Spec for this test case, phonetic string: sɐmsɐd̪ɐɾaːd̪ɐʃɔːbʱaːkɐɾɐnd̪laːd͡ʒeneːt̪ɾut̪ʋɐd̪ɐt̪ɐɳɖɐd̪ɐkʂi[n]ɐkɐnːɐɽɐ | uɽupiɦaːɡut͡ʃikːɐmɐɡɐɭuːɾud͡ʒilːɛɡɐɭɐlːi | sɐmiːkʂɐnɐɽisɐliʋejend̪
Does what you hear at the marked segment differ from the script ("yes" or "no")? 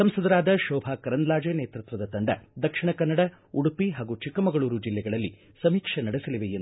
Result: yes